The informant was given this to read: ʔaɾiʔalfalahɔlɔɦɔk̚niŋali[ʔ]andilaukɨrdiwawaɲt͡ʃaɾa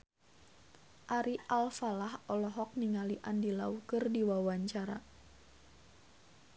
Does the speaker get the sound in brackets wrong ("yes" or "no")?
no